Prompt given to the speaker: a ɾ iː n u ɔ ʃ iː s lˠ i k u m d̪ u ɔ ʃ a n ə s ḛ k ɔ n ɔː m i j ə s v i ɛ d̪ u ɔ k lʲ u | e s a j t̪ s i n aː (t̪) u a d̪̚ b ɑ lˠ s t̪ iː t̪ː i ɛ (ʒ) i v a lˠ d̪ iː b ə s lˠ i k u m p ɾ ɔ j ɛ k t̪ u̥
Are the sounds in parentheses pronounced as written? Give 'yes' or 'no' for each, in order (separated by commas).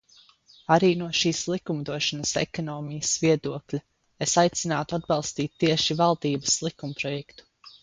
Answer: yes, no